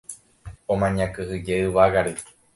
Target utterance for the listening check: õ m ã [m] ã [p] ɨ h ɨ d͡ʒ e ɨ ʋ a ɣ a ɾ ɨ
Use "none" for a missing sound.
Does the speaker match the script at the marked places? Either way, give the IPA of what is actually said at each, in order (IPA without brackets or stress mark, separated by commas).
ɲ, k